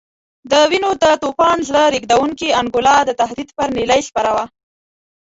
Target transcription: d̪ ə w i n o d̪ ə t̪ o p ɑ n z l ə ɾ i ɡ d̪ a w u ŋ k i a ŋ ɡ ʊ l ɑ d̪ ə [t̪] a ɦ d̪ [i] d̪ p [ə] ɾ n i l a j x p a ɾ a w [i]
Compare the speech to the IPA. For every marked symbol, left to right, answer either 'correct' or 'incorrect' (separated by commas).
correct, correct, correct, incorrect